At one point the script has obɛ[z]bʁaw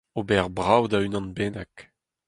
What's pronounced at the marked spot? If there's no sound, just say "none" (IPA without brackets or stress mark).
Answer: ʁ